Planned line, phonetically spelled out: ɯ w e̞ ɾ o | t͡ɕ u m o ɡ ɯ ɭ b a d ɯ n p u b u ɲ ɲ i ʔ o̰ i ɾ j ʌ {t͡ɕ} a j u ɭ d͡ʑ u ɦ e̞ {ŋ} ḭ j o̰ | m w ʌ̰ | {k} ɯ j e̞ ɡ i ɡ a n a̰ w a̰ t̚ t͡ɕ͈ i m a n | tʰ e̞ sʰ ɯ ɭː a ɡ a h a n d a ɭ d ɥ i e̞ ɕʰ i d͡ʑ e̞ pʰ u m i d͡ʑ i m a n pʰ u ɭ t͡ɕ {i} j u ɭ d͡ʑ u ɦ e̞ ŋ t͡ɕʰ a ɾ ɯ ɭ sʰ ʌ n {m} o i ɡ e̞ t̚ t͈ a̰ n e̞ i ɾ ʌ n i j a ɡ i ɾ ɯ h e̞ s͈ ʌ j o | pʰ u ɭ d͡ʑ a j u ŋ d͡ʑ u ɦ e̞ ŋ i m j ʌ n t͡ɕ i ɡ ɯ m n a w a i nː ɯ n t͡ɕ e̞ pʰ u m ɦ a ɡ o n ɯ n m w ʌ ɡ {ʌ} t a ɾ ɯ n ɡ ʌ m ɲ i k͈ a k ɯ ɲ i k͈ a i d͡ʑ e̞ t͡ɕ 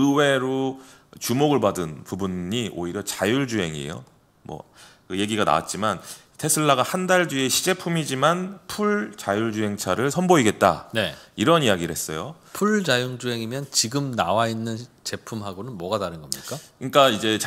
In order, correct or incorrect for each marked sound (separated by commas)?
correct, correct, correct, incorrect, incorrect, incorrect